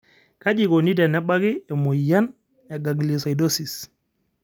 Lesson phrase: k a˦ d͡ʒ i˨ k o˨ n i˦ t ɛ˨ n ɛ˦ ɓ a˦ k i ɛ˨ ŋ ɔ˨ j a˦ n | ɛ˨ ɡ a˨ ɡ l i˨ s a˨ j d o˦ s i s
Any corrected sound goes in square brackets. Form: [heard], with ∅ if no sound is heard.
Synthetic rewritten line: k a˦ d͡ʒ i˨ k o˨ n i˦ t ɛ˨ n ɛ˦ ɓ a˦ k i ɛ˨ [m] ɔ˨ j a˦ n | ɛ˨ ɡ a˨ ɡ l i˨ s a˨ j d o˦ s i s